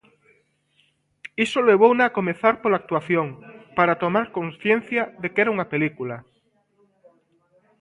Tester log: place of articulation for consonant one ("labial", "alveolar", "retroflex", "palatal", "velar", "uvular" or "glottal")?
alveolar